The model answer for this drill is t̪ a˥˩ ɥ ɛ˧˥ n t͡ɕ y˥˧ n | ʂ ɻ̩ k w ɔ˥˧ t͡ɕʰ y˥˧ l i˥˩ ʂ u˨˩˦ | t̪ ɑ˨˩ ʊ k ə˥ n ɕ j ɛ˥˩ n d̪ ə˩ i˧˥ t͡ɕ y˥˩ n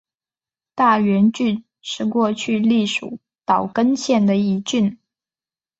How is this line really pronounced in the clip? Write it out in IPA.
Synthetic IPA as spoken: t̪ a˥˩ ɥ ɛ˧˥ n t͡ɕ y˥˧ n | ʂ ɻ̩ k w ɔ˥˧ t͡ɕʰ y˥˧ l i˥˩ ʂ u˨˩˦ | t̪ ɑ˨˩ ʊ k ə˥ n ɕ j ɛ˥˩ n d̪ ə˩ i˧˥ t͡ɕ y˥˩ n